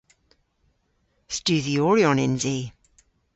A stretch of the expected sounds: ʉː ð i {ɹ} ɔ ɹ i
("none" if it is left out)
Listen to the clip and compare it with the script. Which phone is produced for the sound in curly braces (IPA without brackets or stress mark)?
none